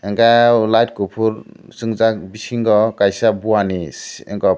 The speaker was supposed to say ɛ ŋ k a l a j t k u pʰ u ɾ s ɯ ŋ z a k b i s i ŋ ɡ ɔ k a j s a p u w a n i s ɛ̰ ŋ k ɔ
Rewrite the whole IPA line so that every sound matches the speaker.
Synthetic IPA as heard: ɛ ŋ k a l a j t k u pʰ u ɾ s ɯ ŋ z a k b i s i ŋ ɡ ɔ k a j s a b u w a n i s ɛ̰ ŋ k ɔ